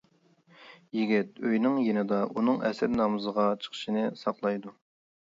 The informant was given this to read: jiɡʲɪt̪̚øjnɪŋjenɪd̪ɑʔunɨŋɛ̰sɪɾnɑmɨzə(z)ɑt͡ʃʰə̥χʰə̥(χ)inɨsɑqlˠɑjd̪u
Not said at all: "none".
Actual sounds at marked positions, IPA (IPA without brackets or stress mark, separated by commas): ʁ, ʃ